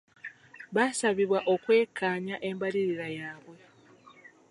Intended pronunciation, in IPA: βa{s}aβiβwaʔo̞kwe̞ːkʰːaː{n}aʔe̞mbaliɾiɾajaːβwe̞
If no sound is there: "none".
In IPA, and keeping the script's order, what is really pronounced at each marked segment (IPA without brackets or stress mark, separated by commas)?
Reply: s, ɲ